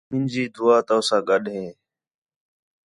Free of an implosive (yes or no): no